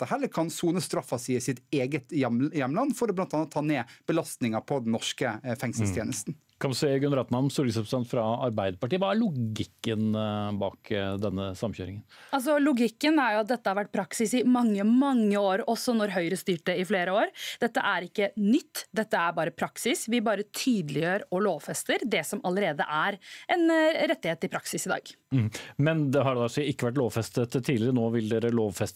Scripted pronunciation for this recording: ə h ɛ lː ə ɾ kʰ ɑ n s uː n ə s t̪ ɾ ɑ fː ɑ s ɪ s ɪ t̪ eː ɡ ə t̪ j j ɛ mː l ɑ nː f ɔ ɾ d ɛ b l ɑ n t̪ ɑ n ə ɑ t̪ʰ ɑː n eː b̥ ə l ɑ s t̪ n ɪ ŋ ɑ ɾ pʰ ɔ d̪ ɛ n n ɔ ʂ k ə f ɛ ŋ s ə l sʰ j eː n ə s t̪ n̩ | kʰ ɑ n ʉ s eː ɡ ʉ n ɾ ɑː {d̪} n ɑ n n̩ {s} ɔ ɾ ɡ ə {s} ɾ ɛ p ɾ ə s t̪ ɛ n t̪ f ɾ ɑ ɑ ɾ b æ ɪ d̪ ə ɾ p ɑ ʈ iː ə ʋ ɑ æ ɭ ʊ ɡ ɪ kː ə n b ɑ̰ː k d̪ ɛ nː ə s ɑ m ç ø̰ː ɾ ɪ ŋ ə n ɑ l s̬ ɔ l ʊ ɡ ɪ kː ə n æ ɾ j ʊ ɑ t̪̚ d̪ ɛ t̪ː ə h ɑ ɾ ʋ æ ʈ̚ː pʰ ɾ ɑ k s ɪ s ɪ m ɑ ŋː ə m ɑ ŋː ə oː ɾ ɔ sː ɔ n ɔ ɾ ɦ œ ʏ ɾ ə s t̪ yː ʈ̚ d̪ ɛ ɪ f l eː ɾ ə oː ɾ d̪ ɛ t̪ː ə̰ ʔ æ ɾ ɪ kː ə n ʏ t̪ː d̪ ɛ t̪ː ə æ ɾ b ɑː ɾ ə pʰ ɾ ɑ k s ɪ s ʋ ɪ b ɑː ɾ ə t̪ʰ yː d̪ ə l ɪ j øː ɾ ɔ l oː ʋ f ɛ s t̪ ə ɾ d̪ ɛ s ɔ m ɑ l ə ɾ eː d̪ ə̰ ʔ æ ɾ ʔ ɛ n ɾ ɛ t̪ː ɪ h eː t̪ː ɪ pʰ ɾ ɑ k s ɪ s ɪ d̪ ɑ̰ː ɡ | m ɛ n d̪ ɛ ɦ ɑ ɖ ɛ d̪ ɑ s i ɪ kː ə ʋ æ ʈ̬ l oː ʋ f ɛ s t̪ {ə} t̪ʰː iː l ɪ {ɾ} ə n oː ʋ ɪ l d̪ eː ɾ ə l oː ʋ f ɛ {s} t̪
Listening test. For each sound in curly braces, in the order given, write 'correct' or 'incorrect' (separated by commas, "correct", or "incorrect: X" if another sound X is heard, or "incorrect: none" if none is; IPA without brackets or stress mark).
incorrect: t̪, correct, correct, correct, correct, correct